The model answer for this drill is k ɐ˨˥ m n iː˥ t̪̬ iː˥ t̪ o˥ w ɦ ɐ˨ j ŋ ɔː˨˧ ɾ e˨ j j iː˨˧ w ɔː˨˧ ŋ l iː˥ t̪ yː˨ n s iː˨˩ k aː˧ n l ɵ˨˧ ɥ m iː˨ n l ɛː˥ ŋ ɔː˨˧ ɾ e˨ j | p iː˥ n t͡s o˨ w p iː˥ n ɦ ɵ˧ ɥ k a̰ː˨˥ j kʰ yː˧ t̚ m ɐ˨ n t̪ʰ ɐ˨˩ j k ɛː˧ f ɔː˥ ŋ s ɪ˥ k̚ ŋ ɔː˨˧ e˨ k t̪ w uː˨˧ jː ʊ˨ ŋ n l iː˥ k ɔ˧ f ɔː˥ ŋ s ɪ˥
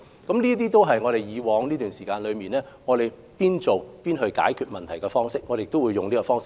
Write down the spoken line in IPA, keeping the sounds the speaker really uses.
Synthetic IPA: k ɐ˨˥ m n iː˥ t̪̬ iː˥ t̪ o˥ w ɦ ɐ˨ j ŋ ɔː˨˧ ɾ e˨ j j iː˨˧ w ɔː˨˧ ŋ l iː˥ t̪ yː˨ n s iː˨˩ k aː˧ n l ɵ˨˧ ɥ m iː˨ n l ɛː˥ ŋ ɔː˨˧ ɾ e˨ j | p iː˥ n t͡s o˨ w p iː˥ n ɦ ɵ˧ ɥ k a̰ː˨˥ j kʰ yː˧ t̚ m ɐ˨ n t̪ʰ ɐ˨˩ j k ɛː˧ f ɔː˥ ŋ s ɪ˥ k̚ ŋ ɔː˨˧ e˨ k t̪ w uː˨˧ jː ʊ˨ ŋ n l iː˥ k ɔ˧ f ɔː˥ ŋ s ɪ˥